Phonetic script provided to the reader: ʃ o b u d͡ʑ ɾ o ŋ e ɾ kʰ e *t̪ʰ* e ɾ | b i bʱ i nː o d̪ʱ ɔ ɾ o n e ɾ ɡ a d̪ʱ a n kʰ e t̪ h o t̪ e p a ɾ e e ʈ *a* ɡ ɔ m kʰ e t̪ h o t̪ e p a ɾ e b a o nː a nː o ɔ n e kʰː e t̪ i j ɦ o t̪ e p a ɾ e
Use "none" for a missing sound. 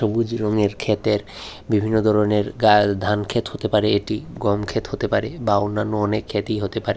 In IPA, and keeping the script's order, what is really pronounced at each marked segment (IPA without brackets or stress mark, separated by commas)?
t̪, i